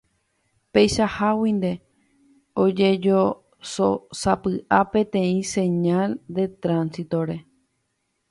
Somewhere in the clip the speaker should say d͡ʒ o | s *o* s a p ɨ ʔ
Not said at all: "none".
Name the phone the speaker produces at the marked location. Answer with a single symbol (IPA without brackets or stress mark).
o